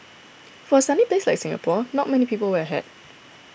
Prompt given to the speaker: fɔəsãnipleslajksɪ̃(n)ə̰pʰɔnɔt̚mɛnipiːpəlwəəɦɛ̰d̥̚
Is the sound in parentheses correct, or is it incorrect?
incorrect: ŋ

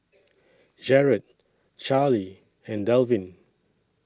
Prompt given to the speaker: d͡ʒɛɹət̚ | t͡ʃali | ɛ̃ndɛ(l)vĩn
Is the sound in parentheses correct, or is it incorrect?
correct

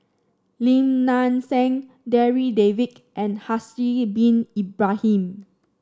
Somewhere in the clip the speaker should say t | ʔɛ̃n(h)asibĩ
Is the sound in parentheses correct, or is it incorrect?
correct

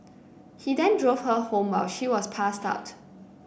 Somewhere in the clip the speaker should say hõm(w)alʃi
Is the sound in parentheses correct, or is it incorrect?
correct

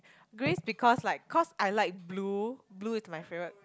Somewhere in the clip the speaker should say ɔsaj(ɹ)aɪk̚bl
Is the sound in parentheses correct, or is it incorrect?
incorrect: l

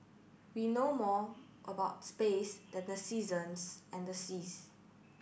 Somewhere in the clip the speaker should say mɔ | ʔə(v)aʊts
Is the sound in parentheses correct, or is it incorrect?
incorrect: b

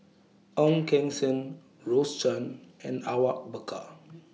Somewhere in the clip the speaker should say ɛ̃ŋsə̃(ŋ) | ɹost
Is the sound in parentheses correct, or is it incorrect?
incorrect: n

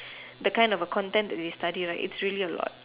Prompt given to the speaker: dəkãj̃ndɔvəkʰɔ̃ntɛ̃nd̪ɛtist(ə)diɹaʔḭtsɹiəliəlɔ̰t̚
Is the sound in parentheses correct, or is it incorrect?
incorrect: a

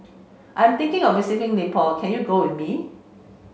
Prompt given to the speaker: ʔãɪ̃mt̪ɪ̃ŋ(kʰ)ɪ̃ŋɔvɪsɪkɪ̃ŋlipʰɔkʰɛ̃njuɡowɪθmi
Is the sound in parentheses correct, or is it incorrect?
incorrect: k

